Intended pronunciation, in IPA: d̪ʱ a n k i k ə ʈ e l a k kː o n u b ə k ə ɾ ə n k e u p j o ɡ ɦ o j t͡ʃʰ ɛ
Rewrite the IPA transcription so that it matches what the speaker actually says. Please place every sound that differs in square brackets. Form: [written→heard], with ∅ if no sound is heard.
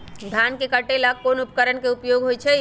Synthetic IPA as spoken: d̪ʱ a n k [i→e] k ə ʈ e l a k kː o n u [b→p] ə k ə ɾ ə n k e u p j o ɡ ɦ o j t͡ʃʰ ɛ

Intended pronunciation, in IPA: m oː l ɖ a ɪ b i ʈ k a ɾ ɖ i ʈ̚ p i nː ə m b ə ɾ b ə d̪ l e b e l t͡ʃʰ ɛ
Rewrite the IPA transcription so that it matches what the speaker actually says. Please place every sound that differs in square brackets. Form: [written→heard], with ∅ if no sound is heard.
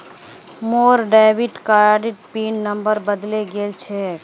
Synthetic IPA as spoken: m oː [l→ɾ] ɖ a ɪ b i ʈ k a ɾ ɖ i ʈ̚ p i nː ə m b ə ɾ b ə d̪ l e [b→ɡ] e l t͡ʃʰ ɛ

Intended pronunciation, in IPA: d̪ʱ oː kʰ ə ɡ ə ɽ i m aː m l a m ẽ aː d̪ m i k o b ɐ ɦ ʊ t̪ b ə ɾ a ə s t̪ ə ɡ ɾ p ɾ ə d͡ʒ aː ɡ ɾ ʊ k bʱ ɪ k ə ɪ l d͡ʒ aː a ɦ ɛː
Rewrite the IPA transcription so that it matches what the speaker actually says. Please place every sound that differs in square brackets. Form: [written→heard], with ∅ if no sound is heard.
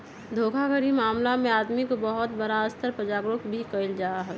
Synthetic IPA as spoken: d̪ʱ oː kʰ [ə→a] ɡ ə [ɽ→ɾ] i m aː m l a m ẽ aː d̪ m i k o b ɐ ɦ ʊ t̪ b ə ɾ a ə s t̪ ə [ɡ→∅] ɾ p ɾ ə d͡ʒ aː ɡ ɾ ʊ k bʱ [ɪ→i] k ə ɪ l d͡ʒ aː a ɦ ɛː

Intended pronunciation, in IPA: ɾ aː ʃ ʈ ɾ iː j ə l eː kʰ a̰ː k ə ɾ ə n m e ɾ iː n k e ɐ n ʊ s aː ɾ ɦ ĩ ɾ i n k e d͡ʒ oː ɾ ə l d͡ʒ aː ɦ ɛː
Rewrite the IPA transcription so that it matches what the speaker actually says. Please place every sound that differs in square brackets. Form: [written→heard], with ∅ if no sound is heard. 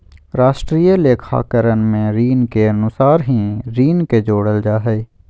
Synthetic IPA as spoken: ɾ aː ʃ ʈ ɾ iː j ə l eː kʰ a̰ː k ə ɾ ə n m [e→ẽ] ɾ iː n k e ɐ n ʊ s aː ɾ ɦ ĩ ɾ [i→iː] n k e d͡ʒ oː [ɾ→ɽ] ə l d͡ʒ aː ɦ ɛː

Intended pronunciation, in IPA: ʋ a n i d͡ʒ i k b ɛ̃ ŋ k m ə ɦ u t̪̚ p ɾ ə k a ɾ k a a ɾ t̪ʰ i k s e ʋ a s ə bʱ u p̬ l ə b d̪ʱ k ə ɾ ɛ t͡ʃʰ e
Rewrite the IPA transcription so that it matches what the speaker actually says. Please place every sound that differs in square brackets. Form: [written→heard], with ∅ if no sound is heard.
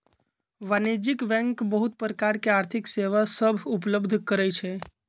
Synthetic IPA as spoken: ʋ a n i d͡ʒ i k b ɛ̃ ŋ k [m→b] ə ɦ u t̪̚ p ɾ ə k a ɾ k [a→e] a ɾ t̪ʰ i k s e ʋ a s ə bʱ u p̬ l ə b d̪ʱ k ə ɾ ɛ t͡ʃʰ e

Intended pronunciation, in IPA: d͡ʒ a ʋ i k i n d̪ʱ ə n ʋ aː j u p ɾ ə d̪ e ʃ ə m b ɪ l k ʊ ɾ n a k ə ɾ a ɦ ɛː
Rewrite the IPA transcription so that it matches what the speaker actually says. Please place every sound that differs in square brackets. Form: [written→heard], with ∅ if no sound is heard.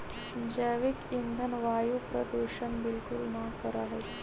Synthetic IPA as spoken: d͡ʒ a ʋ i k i n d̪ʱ ə n ʋ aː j u p ɾ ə d̪ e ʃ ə [m→n] b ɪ l k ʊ [ɾ→l] n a k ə ɾ a ɦ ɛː

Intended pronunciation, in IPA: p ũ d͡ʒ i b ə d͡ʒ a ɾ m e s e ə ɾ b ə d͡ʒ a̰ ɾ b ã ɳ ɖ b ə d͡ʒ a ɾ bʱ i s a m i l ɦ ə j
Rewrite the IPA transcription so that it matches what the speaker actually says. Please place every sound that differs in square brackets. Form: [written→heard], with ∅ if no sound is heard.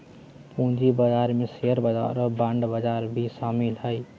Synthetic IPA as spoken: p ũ d͡ʒ i b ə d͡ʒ a ɾ m e s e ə ɾ b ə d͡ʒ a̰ ɾ b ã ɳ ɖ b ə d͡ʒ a ɾ bʱ i s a m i l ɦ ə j

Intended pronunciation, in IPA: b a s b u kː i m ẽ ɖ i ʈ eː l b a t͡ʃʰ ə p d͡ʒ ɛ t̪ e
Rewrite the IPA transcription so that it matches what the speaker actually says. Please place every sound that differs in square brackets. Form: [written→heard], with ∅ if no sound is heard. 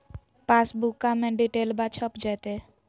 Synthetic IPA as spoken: [b→p] a s b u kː [i→a] m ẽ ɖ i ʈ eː l b a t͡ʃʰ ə p d͡ʒ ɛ t̪ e

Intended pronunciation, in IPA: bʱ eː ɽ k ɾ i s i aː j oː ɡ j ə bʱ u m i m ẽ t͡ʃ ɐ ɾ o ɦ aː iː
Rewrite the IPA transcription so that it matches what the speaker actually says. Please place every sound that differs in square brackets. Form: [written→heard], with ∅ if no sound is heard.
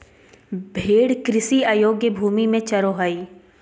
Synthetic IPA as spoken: bʱ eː ɽ k ɾ [i→ɪ] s i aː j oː ɡ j ə bʱ [u→uː] m i m ẽ t͡ʃ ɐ ɾ o ɦ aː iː

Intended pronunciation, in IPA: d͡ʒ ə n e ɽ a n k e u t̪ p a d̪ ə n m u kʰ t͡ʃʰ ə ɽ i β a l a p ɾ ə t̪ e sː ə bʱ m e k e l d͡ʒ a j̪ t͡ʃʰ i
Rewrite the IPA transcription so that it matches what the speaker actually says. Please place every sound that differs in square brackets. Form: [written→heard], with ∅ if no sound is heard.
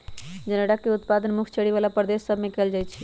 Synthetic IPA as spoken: d͡ʒ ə n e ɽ a [n→∅] k e u t̪ p a d̪ ə n m u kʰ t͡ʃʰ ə ɽ i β a l a p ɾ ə [t̪→d̪] e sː ə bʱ m e k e l d͡ʒ a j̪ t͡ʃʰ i

